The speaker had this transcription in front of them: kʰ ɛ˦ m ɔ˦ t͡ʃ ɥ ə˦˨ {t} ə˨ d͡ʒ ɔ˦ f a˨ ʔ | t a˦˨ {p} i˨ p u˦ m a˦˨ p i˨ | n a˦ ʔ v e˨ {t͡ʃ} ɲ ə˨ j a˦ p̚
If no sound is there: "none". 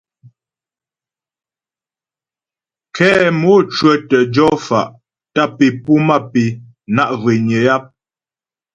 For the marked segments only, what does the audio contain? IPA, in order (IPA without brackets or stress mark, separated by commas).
t, p, none